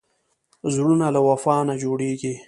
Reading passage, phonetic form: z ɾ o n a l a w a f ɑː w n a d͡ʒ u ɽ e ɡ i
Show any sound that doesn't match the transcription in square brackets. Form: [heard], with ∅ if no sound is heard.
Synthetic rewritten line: z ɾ [u] n a l a w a f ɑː [∅] n a d͡ʒ [o] ɽ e ɡ i